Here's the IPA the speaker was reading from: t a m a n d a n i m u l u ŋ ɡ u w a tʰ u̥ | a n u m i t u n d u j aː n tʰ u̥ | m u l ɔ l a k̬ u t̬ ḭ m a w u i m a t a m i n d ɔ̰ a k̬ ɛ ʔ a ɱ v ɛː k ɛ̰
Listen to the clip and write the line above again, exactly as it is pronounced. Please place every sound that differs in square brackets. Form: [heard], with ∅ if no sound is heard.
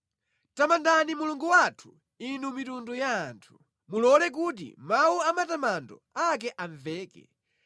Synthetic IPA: t a m a n d a n i m u l u ŋ ɡ u w a tʰ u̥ | [i] n u m i t u n d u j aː n tʰ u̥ | m u l ɔ l [ɛ] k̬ u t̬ ḭ m a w u [a] m a t a m [a] n d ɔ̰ a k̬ ɛ ʔ a ɱ v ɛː k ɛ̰

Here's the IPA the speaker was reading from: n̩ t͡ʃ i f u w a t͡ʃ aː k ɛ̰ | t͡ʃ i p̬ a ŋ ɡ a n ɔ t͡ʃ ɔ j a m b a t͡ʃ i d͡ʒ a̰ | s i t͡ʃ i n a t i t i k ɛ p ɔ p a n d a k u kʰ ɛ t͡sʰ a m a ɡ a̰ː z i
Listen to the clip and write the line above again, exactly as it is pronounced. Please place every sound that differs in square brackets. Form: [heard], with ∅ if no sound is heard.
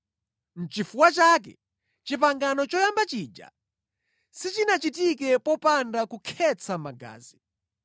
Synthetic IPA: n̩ t͡ʃ i f u w a t͡ʃ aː k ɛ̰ | t͡ʃ i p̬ a ŋ ɡ a n ɔ t͡ʃ ɔ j a m b a t͡ʃ i d͡ʒ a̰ | s i t͡ʃ i n a [t͡ʃ] i t i k ɛ p ɔ p a n d a k u kʰ ɛ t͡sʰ a m a ɡ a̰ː z i

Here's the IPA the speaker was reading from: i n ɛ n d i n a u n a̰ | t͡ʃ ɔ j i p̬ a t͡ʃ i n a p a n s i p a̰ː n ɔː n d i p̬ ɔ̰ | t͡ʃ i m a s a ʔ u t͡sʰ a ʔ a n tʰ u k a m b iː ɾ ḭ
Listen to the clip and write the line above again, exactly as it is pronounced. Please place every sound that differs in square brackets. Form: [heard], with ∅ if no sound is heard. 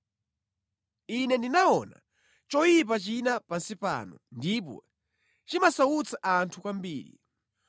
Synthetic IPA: i n ɛ n d i n a [ɔ] n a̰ | t͡ʃ ɔ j i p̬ a t͡ʃ i n a p a n s i p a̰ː n [ɔ] n d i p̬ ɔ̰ | t͡ʃ i m a s a [∅] u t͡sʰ a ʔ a n tʰ u k a m b iː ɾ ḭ

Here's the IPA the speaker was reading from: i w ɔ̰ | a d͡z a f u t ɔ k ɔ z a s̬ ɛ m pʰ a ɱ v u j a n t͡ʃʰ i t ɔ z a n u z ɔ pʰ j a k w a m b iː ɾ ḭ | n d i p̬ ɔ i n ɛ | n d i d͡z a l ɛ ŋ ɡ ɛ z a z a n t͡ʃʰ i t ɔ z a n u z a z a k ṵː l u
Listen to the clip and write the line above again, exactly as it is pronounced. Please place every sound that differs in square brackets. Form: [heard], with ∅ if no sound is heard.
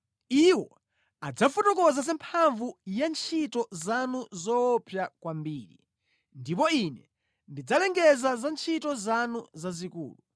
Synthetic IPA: i w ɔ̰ | a d͡z a f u t ɔ k ɔ z a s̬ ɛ m pʰ a ɱ v u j a n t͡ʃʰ i t ɔ z a n u z ɔ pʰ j a k w a m b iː ɾ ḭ | n d i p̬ ɔ i n ɛ | n d i d͡z a l ɛ ŋ ɡ ɛ z a z a n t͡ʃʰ i t ɔ z a n u z a z [i] k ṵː l u

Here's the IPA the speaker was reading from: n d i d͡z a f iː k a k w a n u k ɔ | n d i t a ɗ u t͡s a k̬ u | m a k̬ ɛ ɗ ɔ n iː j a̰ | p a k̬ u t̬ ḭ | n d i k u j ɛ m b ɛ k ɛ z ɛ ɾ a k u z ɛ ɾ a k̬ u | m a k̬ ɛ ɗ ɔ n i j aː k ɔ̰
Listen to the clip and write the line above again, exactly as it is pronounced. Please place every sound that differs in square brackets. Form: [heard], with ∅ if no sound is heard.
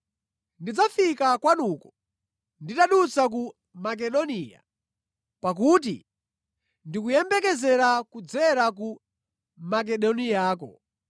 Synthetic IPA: n d i d͡z a f [i] k a k w a n u k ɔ | n d i t a ɗ u t͡s a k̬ u | m a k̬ ɛ ɗ ɔ n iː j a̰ | p a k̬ u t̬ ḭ | n d i k u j ɛ m b ɛ k ɛ z ɛ ɾ a k u [d͡z] ɛ ɾ a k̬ u | m a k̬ ɛ ɗ ɔ n i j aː k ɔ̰

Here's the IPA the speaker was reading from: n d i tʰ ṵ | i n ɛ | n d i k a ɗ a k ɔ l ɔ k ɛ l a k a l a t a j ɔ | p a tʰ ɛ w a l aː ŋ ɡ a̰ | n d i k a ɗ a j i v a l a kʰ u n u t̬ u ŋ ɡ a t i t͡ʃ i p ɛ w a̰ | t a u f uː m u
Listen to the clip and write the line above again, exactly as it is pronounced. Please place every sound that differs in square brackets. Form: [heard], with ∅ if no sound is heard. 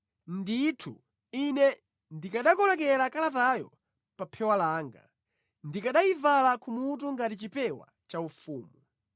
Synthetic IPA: n d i tʰ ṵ | i n ɛ | n d i k a ɗ a k ɔ l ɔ k ɛ l a k a l a t a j ɔ | p a [pʰ] ɛ w a l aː ŋ ɡ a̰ | n d i k a ɗ a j i v a l a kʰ u [m] u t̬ u ŋ ɡ a t i t͡ʃ i p ɛ w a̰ | [t͡ʃ] a u f uː m u

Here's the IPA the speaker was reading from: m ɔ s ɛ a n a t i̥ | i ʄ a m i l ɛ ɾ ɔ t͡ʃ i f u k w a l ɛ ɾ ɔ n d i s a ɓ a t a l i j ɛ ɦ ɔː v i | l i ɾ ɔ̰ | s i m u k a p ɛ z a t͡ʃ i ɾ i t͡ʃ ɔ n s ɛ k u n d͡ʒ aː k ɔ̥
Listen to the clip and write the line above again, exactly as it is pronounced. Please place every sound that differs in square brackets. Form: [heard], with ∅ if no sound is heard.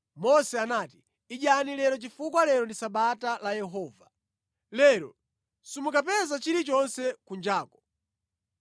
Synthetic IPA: m ɔ s ɛ a n a t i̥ | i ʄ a [n] i l ɛ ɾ ɔ t͡ʃ i f u k w a l ɛ ɾ ɔ n d i s a ɓ a t a l [a] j ɛ ɦ ɔː v [a] | l [ɛ] ɾ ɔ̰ | s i m u k a p ɛ z a t͡ʃ i ɾ i t͡ʃ ɔ n s ɛ k u n d͡ʒ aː k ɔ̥

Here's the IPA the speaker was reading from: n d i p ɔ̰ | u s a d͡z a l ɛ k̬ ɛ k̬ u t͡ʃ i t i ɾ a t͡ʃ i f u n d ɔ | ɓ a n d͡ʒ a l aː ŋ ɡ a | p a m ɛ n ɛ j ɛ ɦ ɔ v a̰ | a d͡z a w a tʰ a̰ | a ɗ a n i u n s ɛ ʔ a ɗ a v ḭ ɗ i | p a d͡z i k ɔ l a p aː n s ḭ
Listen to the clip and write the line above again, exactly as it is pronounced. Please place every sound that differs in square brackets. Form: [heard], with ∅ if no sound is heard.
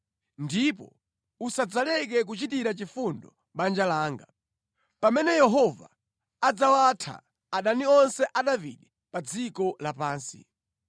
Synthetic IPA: n d i p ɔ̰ | u s a d͡z a l ɛ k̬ ɛ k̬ u t͡ʃ i t i ɾ a t͡ʃ i f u n d ɔ | ɓ a n d͡ʒ a l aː ŋ ɡ a | p a m ɛ n ɛ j ɛ ɦ ɔ v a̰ | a d͡z a w a tʰ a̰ | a ɗ a n i [ɔ] n s ɛ ʔ a ɗ a v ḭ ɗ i | p a d͡z i k ɔ l a p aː n s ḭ

